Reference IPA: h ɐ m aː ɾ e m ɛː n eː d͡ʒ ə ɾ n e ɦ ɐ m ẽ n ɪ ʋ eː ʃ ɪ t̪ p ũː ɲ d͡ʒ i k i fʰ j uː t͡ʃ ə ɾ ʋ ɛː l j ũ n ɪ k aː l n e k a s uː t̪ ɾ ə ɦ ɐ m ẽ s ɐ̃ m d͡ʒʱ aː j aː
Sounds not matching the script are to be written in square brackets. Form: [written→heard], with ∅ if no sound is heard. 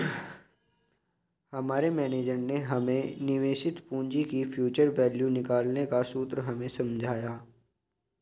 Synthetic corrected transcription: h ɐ m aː ɾ e m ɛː n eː d͡ʒ ə ɾ n e ɦ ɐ m ẽ n ɪ ʋ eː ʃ ɪ t̪ p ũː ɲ d͡ʒ i k i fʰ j uː t͡ʃ ə ɾ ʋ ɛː l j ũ n ɪ k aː l n e k a s uː t̪ ɾ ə ɦ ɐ m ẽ s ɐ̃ m d͡ʒʱ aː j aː